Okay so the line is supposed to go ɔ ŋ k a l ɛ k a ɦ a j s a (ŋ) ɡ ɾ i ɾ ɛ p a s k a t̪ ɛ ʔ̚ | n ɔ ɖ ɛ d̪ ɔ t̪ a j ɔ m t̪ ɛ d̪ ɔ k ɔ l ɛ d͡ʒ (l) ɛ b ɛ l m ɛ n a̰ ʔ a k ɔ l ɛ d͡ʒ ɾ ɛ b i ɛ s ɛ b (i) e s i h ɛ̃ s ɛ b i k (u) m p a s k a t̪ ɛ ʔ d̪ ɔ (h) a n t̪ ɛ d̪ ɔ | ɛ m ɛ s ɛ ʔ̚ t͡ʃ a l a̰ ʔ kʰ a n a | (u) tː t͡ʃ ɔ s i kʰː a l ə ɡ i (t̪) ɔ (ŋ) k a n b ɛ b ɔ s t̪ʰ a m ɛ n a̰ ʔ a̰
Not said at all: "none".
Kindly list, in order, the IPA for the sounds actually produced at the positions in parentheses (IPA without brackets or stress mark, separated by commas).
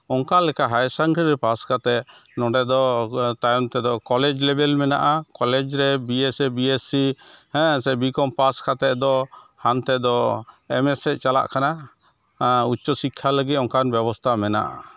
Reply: ŋ, l, i, ɔ, h, u, t̪, ŋ